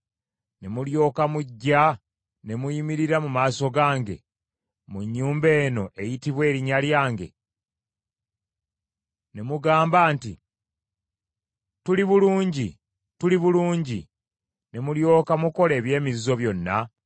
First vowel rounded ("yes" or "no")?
no